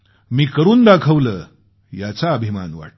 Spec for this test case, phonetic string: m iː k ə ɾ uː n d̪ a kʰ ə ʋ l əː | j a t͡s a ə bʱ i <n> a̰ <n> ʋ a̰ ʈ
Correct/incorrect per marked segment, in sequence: incorrect, correct

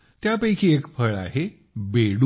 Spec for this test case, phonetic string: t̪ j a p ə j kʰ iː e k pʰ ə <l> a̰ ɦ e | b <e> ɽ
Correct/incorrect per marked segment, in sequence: incorrect, correct

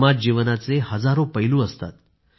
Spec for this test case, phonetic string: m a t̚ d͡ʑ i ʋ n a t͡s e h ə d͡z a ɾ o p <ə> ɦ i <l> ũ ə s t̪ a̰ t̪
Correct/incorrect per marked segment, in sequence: correct, correct

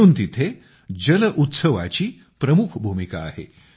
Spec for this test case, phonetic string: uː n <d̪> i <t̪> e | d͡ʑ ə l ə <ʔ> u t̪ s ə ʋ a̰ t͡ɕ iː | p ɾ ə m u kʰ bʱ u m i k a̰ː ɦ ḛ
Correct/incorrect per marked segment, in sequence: incorrect, incorrect, correct

